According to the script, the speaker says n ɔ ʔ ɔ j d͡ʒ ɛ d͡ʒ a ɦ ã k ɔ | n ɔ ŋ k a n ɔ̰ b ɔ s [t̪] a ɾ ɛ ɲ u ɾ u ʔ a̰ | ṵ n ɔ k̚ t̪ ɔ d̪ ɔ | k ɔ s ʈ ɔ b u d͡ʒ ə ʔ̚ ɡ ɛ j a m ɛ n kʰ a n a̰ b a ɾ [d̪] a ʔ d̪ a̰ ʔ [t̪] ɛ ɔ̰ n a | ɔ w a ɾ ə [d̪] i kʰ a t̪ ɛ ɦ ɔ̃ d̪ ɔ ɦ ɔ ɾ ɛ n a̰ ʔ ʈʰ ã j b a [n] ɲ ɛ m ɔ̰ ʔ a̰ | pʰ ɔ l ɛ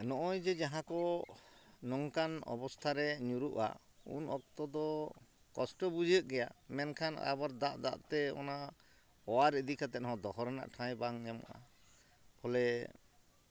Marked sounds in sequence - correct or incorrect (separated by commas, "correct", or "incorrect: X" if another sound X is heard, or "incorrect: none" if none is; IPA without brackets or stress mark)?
incorrect: t̪ʰ, correct, correct, correct, incorrect: ŋ